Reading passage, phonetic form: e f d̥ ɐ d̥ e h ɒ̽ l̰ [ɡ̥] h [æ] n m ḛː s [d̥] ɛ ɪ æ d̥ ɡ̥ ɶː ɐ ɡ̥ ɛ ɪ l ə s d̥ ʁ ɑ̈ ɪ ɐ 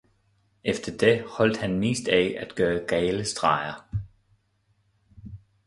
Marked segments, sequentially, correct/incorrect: incorrect: d̥, correct, correct

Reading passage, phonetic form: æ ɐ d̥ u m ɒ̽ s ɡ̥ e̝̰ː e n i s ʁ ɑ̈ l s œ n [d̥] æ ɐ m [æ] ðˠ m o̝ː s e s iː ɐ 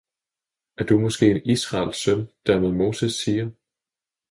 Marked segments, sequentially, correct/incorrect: correct, incorrect: e

